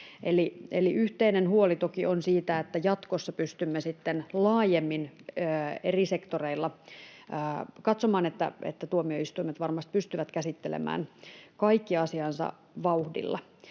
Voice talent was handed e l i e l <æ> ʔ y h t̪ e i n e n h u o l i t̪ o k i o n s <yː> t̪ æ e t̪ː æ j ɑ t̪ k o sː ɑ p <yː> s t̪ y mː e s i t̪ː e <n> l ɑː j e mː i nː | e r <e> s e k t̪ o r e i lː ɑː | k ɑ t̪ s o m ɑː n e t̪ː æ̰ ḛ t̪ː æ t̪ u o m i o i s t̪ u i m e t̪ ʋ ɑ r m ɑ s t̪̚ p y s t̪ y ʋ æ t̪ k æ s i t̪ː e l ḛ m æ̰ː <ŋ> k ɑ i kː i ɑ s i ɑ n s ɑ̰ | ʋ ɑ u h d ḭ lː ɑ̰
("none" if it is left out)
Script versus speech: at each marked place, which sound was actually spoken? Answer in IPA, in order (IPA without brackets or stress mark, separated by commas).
i, iː, y, n, i, n